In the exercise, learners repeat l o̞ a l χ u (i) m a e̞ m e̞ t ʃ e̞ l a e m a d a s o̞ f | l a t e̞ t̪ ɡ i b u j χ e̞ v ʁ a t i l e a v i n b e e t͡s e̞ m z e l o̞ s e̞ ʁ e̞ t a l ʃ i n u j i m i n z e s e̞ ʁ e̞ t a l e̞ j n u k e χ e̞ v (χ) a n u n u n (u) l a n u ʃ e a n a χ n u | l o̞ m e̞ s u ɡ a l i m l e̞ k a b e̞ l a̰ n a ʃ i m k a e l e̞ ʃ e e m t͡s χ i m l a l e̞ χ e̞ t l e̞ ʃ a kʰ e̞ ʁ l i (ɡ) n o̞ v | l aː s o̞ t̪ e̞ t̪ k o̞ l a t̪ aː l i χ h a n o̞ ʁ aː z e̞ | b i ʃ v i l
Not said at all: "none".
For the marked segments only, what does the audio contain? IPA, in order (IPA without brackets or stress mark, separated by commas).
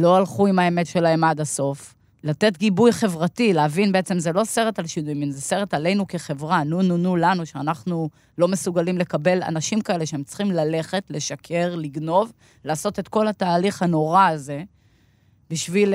i, ʁ, u, ɡ